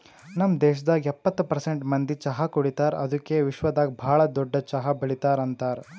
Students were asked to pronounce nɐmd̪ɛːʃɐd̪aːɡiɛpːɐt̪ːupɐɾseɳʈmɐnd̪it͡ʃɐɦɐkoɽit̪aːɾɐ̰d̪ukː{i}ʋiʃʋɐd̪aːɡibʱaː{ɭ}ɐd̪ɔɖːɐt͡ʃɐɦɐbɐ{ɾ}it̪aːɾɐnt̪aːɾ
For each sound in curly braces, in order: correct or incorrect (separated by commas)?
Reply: incorrect, correct, incorrect